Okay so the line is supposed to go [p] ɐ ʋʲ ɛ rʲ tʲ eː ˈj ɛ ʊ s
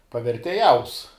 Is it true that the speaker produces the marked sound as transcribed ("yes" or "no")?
yes